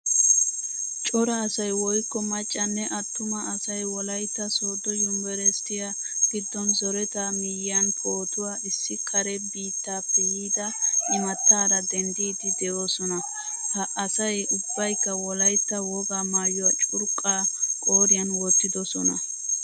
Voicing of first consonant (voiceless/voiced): voiceless